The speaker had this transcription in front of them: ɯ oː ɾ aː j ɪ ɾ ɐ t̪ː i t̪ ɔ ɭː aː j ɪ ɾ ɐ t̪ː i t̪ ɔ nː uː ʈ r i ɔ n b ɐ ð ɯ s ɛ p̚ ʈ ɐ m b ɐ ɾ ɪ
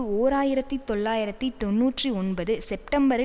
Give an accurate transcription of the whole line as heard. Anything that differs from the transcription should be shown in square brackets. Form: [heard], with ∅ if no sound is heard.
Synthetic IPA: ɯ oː ɾ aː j ɪ ɾ ɐ t̪ː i t̪ ɔ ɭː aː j ɪ ɾ ɐ t̪ː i t̪ ɔ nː uː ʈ r i ɔ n b ɐ ð ɯ s ɛ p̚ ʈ ɐ m b ɐ ɾ ɪ